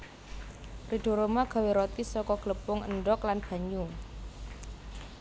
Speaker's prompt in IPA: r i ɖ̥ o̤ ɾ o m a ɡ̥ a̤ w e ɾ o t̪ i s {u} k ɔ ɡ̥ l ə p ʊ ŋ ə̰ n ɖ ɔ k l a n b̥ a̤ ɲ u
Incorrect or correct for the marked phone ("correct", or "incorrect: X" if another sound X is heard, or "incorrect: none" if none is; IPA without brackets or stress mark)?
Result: incorrect: ɔ